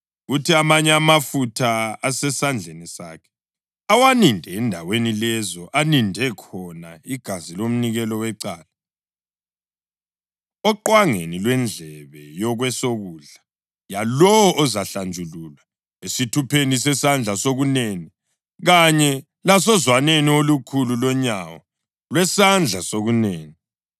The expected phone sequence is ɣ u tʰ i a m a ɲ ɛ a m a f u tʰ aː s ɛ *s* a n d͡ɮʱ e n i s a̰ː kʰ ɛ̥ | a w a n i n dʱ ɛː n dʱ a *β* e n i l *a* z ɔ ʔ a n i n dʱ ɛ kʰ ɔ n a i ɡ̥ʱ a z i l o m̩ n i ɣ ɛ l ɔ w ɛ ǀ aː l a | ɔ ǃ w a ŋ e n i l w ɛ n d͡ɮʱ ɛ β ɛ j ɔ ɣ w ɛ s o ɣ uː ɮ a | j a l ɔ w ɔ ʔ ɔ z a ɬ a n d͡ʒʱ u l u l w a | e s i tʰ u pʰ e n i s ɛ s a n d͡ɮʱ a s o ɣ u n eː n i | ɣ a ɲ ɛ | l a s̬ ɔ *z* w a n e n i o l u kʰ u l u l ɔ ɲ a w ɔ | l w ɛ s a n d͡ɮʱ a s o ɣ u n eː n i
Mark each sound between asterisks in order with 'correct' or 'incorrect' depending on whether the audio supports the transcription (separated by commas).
correct, incorrect, incorrect, correct